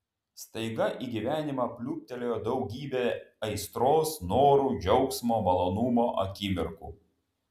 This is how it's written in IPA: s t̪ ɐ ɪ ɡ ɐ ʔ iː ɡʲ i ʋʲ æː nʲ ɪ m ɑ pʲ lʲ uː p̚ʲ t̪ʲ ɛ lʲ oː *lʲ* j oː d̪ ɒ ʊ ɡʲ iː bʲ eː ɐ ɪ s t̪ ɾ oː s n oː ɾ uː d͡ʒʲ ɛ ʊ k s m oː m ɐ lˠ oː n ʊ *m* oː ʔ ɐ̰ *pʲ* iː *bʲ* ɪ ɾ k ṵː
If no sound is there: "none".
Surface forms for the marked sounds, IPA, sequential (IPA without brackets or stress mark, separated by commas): none, m, kʲ, mʲ